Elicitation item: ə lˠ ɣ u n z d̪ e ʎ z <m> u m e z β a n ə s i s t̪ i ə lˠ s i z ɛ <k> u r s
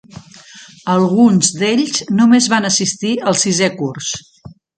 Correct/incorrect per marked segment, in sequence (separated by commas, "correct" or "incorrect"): incorrect, correct